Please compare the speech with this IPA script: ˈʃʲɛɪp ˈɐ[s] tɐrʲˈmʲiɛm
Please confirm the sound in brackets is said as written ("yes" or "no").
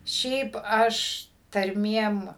no